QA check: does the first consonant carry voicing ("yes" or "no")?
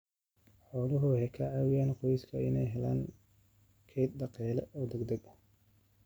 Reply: no